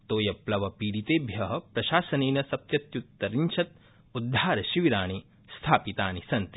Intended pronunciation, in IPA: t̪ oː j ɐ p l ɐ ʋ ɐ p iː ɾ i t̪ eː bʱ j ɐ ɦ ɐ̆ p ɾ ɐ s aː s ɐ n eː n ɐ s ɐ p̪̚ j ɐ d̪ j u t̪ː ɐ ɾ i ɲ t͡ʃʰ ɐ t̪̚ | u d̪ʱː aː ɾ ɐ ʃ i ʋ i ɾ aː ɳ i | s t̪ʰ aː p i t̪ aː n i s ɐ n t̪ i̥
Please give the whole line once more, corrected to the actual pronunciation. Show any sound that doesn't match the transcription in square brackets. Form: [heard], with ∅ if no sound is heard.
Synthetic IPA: t̪ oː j ɐ p l ɐ ʋ ɐ p iː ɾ i t̪ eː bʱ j ɐ ɦ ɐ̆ p ɾ ɐ [ʃ] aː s ɐ n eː n ɐ s ɐ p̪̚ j ɐ [t̪] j u t̪ː ɐ ɾ i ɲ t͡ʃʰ ɐ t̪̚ | u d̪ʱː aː ɾ ɐ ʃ i ʋ i ɾ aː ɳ i | s t̪ʰ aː p i t̪ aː n i s ɐ n t̪ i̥